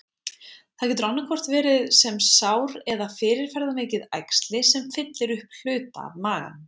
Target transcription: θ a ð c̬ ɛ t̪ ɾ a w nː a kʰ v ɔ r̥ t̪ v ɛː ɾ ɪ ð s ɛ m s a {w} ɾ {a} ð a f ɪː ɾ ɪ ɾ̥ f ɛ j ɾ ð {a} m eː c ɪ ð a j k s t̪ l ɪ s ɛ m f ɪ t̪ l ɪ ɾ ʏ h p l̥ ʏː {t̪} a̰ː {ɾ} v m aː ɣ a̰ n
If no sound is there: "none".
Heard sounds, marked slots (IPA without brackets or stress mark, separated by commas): w, ɛ, a, t̪, none